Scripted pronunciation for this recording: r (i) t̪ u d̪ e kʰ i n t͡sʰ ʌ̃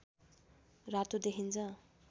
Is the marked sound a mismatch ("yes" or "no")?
yes